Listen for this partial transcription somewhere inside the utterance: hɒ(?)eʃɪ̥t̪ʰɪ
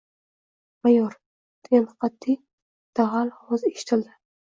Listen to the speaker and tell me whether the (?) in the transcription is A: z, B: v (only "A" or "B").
A